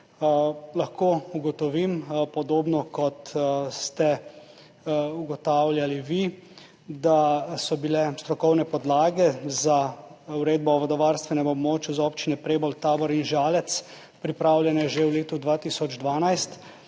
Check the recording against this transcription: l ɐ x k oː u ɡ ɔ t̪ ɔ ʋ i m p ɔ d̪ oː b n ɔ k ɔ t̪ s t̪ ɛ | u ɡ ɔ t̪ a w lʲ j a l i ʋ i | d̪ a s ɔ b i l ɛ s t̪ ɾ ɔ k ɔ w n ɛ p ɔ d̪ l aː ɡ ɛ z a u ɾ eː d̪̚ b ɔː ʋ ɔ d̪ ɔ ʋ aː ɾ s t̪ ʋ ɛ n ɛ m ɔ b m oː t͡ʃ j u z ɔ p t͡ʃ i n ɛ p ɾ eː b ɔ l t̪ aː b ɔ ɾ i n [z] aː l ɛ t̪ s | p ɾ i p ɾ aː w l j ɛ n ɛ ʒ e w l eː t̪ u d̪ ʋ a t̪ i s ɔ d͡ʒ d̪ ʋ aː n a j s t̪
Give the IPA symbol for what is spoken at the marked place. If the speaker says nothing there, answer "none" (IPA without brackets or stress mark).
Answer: ʒ